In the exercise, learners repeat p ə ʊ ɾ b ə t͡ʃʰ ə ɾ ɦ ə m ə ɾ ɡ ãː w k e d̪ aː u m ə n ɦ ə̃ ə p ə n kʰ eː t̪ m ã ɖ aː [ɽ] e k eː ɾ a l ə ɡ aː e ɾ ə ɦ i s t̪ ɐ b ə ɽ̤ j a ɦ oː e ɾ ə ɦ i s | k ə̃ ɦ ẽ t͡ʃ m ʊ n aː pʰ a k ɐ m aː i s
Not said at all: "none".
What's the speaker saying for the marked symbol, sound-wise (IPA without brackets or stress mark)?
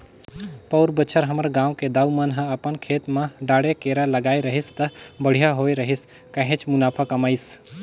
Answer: ɽ